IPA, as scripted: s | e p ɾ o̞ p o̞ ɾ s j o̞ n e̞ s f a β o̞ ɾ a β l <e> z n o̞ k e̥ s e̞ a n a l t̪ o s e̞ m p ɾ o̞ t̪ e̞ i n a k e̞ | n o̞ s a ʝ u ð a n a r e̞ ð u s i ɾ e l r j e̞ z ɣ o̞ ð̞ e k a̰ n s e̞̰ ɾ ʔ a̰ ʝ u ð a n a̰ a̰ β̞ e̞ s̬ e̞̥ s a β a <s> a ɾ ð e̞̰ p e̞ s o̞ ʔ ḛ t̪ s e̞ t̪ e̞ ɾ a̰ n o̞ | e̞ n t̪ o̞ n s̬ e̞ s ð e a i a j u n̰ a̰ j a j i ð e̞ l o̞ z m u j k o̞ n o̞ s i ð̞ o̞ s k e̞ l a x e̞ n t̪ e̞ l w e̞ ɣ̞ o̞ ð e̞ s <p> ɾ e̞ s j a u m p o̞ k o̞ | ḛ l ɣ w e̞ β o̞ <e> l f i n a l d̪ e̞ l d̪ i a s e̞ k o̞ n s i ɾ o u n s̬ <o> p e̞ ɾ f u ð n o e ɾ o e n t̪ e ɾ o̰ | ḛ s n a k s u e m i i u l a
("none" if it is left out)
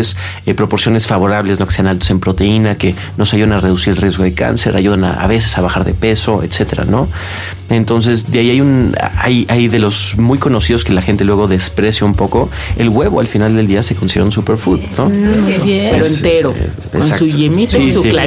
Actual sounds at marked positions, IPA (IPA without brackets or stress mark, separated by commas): e, x, p, a, u